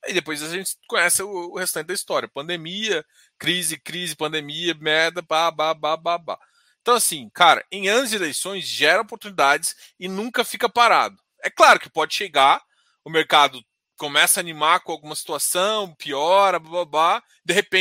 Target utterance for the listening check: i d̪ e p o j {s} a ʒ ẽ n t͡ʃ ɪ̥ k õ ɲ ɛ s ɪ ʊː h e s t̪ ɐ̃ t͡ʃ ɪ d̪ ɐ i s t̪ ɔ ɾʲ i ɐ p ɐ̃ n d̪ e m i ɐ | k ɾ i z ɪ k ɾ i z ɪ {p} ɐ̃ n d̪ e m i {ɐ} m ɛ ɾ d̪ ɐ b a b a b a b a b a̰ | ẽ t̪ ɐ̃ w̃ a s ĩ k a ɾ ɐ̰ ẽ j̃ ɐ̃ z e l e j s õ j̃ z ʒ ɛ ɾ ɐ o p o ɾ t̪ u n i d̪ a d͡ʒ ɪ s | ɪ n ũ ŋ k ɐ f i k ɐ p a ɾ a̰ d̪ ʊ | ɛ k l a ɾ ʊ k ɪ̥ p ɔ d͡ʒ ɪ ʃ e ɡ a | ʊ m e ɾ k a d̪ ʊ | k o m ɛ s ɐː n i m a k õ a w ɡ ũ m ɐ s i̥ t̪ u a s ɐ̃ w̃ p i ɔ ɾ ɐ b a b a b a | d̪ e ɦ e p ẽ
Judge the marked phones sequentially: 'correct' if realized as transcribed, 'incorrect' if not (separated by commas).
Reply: incorrect, correct, correct